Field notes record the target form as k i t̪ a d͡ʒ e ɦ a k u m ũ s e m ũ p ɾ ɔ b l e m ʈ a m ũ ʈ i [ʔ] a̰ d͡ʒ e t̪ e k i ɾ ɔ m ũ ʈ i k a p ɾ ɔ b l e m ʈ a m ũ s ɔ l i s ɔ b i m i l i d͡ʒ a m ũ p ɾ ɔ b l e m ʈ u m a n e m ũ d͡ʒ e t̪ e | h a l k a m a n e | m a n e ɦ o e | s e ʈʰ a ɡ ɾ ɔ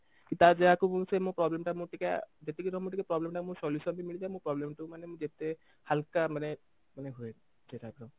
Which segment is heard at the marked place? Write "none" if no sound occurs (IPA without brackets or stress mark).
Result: k